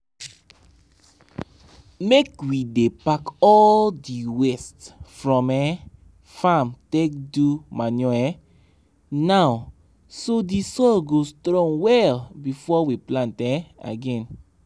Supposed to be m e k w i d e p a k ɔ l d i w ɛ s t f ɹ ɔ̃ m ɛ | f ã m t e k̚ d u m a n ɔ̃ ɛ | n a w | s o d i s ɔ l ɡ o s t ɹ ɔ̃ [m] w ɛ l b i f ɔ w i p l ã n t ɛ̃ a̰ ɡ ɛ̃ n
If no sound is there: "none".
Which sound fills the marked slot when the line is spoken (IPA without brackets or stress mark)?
ŋ